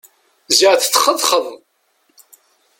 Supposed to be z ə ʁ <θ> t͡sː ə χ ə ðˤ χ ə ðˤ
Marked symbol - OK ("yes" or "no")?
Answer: yes